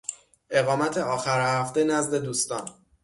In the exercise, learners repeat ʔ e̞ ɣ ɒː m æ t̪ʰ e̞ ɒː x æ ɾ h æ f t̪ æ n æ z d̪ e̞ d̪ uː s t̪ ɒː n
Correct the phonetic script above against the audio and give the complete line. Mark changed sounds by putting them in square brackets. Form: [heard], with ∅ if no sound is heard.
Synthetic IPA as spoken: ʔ e̞ ɣ ɒː m æ t̪ʰ e̞ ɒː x æ ɾ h æ f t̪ [e] n æ z d̪ e̞ d̪ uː s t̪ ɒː n